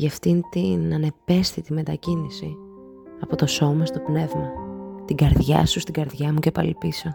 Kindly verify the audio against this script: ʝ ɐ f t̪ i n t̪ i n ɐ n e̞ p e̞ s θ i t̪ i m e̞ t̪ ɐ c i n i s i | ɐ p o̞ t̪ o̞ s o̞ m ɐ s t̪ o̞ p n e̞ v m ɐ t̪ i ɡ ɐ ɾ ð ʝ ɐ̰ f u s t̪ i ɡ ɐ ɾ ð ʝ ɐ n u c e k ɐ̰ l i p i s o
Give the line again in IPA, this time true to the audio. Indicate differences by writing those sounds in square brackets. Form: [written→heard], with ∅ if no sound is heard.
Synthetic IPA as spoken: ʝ ɐ f t̪ i n t̪ i n ɐ n e̞ p e̞ s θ i t̪ i m e̞ t̪ ɐ c i n i s i | ɐ p o̞ t̪ o̞ s o̞ m ɐ s t̪ o̞ p n e̞ v m ɐ t̪ i ɡ ɐ ɾ ð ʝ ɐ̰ [f→s] u s t̪ i ɡ ɐ ɾ ð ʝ ɐ [n→m] u c e [k→p] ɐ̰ l i p i s o